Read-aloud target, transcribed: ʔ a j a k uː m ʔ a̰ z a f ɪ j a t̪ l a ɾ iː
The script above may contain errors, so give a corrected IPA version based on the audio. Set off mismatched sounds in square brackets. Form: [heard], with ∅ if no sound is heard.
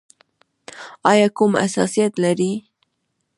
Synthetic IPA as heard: ʔ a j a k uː m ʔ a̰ [s] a [s] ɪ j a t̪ l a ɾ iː